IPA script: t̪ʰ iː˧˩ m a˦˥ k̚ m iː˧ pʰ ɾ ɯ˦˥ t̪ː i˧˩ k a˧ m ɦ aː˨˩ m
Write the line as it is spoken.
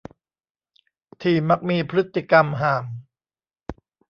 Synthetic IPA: t̪ʰ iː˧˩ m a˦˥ k̚ m iː˧ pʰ ɾ ɯ˦˥ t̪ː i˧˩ k a˧ m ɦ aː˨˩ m